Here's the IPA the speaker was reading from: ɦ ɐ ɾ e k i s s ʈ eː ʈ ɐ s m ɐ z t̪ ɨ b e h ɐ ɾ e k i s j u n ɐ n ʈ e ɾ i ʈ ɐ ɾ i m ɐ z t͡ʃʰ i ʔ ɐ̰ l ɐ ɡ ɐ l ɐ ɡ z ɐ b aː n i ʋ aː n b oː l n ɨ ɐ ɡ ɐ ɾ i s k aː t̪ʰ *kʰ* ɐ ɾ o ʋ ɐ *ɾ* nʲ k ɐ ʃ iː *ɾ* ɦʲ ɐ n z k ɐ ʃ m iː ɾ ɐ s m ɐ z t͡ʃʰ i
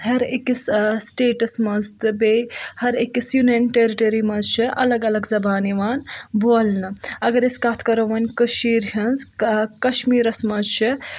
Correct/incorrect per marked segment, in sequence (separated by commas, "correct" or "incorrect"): incorrect, incorrect, correct